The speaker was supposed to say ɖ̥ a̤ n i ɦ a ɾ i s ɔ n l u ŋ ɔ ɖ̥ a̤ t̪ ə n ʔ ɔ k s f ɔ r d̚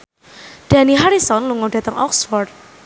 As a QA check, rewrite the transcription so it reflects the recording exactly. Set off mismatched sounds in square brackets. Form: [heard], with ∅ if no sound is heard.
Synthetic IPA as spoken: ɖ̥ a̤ n i ɦ a ɾ i s ɔ n l u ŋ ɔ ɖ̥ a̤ t̪ ə [ŋ] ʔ ɔ k s f ɔ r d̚